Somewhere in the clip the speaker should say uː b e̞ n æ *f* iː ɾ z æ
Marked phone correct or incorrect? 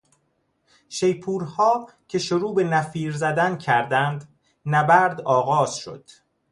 correct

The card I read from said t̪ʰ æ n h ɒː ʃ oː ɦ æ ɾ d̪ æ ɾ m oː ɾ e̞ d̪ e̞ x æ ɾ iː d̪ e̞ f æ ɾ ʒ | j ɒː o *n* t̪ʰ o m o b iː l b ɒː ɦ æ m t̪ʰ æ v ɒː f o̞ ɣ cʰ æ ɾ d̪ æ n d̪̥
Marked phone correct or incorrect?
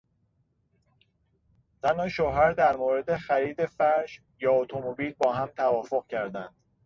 incorrect: none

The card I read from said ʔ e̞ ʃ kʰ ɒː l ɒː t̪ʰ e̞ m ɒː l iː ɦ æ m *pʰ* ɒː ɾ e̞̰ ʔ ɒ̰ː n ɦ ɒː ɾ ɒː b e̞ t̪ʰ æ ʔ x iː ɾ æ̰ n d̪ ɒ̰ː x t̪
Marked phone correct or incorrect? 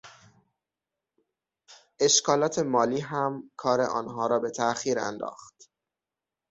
incorrect: kʰ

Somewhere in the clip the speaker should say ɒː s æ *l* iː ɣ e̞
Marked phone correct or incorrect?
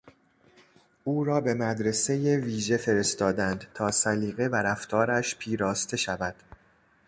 correct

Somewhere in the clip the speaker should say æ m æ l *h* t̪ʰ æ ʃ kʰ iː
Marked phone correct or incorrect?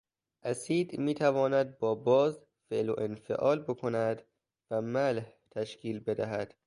correct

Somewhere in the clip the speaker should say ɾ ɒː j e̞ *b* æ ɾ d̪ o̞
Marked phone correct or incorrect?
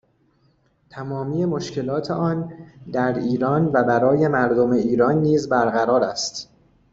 incorrect: m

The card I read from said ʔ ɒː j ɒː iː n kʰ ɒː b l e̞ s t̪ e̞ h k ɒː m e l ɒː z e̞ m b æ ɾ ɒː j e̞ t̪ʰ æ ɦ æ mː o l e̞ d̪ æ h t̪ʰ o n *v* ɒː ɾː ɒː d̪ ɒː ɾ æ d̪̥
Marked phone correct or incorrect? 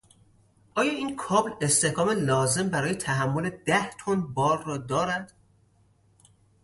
incorrect: b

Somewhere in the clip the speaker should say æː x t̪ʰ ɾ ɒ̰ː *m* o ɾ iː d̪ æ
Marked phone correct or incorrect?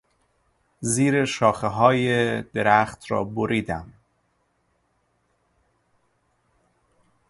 incorrect: b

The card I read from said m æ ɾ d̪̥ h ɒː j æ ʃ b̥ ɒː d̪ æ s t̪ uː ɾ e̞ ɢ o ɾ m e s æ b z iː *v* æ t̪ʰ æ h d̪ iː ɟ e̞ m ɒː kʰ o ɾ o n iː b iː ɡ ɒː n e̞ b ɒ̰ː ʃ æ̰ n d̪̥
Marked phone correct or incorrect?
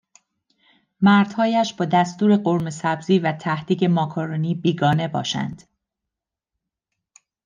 correct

